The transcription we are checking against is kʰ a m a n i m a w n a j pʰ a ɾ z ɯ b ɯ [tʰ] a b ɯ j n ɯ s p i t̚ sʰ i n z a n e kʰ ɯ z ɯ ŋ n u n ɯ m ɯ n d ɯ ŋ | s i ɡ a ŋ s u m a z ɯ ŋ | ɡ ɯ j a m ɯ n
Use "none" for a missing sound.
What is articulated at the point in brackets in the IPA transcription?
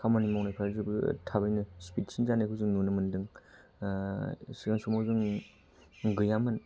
tʰ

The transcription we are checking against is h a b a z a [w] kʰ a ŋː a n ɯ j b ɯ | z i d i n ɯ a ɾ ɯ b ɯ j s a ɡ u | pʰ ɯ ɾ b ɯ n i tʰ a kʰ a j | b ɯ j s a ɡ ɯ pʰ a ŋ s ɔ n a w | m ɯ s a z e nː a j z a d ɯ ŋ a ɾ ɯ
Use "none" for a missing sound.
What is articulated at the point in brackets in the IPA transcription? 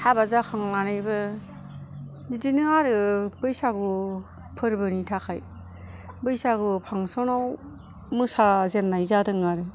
none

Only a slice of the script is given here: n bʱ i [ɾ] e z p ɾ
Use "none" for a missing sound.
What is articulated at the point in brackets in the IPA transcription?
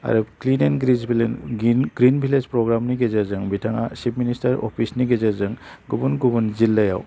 l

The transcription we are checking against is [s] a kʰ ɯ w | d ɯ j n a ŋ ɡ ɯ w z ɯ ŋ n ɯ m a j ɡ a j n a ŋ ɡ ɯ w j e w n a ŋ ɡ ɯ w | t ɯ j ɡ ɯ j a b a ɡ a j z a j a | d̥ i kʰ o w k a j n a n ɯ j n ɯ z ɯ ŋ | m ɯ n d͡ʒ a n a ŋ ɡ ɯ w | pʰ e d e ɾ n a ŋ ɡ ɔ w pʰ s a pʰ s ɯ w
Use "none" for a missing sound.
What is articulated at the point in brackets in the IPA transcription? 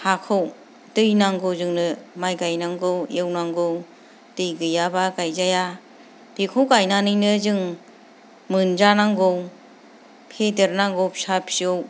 h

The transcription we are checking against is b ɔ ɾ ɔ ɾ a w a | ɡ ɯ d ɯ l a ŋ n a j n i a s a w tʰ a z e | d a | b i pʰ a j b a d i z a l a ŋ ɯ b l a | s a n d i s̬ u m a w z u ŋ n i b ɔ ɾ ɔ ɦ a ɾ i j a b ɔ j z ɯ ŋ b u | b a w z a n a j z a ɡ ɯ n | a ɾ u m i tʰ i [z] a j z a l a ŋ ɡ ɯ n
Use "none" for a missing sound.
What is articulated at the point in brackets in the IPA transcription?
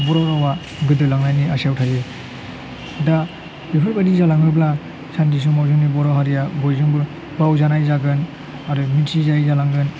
z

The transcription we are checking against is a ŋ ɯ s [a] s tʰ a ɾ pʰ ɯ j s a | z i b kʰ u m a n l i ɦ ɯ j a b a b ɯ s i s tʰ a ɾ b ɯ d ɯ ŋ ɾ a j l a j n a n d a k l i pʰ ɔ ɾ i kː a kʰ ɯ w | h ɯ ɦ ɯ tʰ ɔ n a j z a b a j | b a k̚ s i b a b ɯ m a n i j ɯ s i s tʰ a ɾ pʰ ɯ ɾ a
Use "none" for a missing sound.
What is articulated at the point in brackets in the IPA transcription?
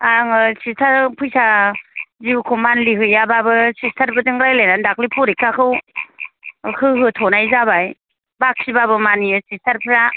i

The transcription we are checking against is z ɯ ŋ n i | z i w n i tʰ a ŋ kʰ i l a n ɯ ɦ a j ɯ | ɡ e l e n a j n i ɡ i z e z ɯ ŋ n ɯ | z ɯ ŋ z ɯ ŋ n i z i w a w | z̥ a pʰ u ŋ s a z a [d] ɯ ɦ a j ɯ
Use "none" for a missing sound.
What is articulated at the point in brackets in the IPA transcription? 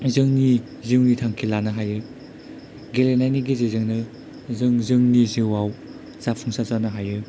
n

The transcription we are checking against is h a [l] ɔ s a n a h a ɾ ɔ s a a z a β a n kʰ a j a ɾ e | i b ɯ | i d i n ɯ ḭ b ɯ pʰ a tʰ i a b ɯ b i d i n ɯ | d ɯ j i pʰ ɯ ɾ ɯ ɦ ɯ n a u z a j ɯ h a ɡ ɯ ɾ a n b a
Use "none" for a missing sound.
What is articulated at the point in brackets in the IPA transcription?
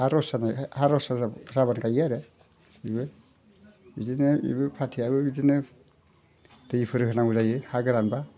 ɾ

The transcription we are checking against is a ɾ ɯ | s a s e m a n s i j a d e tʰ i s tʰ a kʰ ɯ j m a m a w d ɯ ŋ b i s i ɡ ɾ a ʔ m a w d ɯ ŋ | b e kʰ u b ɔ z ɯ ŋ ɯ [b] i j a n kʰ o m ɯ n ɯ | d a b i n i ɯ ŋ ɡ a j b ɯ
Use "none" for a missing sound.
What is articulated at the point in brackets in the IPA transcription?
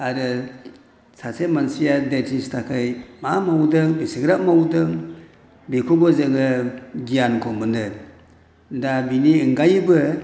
ɡ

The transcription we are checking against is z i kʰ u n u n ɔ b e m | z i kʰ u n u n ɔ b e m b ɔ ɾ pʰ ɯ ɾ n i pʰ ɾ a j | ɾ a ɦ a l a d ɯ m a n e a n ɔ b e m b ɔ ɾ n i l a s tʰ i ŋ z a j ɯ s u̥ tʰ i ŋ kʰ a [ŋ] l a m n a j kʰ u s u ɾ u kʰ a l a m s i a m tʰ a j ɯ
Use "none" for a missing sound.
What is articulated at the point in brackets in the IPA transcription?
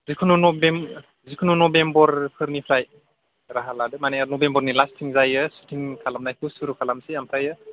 none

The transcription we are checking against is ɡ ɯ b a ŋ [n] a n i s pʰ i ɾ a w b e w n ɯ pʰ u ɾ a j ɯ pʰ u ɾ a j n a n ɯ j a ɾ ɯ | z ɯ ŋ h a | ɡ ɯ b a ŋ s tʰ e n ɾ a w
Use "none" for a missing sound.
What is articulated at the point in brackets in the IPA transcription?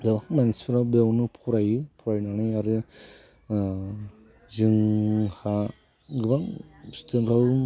m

